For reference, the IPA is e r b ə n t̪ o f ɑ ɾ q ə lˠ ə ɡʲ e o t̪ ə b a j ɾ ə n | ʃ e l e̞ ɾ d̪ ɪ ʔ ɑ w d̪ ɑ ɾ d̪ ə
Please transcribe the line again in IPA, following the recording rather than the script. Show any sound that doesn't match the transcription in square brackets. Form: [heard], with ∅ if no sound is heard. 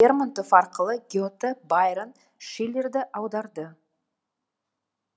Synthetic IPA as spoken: e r [m] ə n t̪ o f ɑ ɾ q ə lˠ ə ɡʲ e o t̪ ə b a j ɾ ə n | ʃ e l e̞ ɾ d̪ ɪ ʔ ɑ w d̪ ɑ ɾ d̪ ə

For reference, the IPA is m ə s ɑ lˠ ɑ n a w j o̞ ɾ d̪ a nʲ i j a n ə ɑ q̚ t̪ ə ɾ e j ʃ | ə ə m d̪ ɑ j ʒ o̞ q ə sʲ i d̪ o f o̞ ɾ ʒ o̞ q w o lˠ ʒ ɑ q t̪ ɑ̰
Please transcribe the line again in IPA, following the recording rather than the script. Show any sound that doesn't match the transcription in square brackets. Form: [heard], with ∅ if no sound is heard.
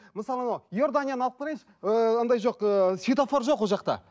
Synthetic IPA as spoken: m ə s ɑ lˠ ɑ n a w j o̞ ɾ d̪ a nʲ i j a n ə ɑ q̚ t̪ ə ɾ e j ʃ | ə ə [n] d̪ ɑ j ʒ o̞ q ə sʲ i [t̪] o f o̞ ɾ ʒ o̞ q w o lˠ ʒ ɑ q t̪ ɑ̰

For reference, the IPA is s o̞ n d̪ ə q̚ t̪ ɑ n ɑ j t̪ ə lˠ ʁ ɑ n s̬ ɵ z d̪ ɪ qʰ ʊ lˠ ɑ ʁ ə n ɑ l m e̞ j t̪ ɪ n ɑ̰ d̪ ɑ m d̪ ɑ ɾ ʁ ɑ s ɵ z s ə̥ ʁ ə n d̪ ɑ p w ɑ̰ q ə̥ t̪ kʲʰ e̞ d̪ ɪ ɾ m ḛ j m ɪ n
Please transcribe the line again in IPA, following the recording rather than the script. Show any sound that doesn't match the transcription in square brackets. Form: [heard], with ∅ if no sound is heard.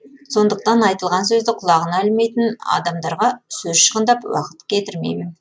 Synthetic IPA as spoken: s o̞ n d̪ ə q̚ t̪ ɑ n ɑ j t̪ ə lˠ ʁ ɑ n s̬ ɵ z d̪ ɪ qʰ ʊ lˠ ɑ ʁ ə n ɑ l m e̞ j t̪ ɪ n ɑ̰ d̪ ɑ m d̪ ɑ ɾ ʁ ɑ s ɵ z [ʃ] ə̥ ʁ ə n d̪ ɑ p w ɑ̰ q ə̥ t̪ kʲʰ e̞ [t̪] ɪ ɾ m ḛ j m ɪ n

